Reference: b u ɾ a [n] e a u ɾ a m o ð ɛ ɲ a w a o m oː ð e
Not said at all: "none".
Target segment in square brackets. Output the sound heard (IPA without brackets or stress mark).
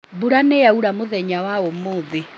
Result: n